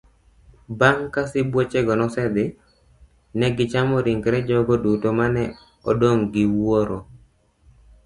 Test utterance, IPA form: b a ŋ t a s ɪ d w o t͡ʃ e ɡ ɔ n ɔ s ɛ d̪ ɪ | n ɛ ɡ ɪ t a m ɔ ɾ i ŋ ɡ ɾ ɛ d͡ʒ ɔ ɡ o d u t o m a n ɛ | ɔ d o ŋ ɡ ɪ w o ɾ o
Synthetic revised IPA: b a ŋ k a s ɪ b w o t͡ʃ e ɡ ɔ n ɔ s ɛ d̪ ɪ | n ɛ ɡ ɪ t͡ʃ a m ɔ ɾ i ŋ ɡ ɾ ɛ d͡ʒ ɔ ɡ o d u t o m a n ɛ | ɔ d o ŋ ɡ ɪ w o ɾ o